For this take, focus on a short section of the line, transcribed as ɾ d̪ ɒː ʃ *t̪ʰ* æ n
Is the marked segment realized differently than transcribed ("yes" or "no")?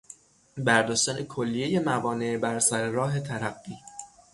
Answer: yes